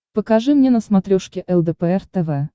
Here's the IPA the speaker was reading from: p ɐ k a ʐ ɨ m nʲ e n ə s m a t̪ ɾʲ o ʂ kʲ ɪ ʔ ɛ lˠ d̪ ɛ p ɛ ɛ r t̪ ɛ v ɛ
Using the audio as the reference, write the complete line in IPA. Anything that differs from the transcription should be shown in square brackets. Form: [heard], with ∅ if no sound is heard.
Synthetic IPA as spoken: p [ə] k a ʐ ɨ m nʲ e n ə s m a t̪ ɾʲ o ʂ kʲ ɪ ʔ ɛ lˠ d̪ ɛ p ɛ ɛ r t̪ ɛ v ɛ